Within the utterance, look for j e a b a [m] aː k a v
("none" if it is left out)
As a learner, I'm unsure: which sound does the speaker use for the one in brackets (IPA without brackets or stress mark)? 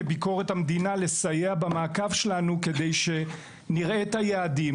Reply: m